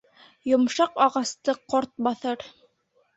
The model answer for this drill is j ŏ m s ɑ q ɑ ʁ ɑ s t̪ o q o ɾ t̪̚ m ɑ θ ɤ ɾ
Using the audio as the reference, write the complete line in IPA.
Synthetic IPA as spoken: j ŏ m ʃ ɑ q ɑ ʁ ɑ s t̪ ɤ q o ɾ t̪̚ b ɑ θ ɤ ɾ